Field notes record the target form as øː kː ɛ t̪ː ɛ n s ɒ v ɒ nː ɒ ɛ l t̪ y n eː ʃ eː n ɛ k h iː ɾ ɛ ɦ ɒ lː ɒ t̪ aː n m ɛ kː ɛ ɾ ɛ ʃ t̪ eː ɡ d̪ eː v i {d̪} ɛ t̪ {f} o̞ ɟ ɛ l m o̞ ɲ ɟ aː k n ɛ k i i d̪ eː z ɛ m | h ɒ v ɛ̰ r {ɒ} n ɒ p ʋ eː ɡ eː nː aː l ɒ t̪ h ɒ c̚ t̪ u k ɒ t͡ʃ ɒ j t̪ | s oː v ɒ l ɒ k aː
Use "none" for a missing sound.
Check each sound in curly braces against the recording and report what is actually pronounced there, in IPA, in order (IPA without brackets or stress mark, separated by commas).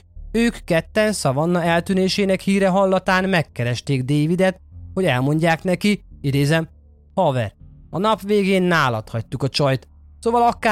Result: d̪, h, ɒ